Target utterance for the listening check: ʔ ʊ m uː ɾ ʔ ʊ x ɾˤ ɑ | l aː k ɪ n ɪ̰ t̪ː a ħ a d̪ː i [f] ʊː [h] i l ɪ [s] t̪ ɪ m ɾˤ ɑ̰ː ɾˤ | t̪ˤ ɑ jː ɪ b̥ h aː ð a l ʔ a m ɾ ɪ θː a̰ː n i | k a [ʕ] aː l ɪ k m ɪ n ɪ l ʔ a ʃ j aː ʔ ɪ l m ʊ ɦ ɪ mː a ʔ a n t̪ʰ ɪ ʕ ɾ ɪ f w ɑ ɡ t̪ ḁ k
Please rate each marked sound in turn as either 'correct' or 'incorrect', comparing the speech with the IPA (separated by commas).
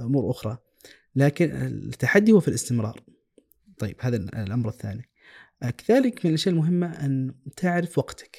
incorrect, incorrect, correct, incorrect